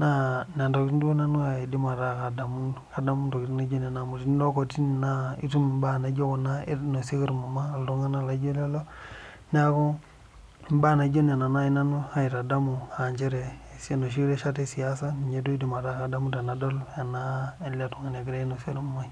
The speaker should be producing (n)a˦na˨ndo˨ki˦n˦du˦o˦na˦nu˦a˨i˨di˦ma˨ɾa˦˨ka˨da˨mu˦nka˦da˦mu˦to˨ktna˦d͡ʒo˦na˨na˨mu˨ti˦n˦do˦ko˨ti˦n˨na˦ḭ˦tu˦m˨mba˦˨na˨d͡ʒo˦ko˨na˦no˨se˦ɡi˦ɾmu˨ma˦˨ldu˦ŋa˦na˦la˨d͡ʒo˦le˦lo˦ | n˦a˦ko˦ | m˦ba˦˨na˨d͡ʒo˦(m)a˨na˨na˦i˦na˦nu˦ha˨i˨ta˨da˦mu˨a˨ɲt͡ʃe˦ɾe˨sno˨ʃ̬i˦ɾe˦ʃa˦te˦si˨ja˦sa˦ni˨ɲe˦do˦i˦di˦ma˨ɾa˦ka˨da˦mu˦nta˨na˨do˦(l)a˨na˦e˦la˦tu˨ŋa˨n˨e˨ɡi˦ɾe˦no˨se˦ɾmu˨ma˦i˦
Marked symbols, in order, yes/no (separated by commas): yes, no, yes